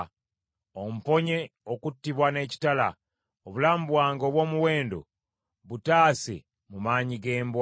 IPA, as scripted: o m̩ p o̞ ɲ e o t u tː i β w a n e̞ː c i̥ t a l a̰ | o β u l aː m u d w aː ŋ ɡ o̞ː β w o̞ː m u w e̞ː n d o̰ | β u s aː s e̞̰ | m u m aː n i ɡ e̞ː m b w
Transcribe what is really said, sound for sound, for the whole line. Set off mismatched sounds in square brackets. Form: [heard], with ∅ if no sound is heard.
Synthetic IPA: o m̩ p o̞ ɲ e o [k] u tː i β w a n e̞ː c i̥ t a l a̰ | o β u l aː m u [b] w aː ŋ ɡ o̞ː β w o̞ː m u w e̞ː n d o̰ | β u [t] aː s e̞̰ | m u m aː [ɲ] i ɡ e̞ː m b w